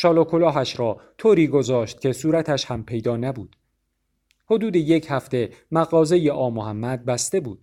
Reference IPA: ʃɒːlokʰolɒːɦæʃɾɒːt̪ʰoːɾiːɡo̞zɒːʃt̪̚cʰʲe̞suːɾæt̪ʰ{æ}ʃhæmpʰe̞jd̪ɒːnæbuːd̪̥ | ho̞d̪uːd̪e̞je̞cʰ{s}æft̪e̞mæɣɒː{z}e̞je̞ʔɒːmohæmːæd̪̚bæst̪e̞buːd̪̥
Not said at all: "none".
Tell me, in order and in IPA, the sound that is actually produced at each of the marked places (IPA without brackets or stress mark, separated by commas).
æ, h, z